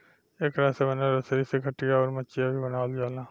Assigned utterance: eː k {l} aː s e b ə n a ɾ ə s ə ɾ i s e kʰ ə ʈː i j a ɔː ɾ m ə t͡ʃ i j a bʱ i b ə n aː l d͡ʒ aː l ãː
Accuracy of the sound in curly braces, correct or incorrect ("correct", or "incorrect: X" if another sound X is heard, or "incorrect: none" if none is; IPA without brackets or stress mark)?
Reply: incorrect: ɾ